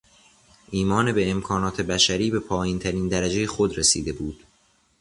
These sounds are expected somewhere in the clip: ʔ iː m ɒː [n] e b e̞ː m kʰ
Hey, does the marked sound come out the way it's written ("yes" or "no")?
yes